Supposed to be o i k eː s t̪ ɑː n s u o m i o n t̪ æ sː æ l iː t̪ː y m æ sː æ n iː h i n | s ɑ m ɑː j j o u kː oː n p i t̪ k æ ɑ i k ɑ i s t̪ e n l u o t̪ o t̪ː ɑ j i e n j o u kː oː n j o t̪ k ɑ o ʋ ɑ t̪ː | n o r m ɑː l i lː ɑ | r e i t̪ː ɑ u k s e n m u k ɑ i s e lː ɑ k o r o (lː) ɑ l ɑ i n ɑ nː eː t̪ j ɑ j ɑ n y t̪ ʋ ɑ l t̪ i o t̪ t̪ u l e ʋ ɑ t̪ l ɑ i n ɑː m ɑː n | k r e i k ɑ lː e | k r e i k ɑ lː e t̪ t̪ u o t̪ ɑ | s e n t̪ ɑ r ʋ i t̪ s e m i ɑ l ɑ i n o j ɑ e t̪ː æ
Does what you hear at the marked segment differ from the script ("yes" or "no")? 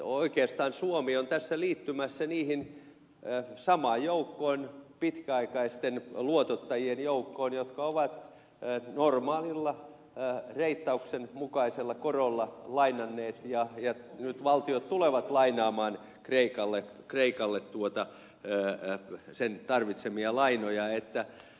no